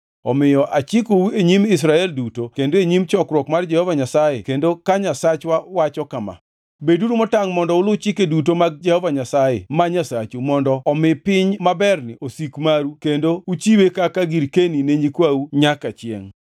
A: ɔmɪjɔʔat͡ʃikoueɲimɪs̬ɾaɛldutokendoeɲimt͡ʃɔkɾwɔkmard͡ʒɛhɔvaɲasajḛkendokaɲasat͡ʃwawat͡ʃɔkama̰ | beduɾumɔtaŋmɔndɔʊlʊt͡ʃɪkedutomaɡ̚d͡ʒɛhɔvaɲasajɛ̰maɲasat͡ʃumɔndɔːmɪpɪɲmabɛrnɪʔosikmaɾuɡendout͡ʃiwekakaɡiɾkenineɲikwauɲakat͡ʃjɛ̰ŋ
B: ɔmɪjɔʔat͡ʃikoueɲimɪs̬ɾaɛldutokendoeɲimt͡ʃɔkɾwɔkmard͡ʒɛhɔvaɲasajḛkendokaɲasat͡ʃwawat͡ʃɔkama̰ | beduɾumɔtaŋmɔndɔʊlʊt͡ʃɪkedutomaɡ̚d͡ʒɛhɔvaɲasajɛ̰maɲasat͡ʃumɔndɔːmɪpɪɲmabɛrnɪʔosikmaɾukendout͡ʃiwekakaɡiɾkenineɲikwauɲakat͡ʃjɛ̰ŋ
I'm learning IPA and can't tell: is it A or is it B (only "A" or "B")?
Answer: B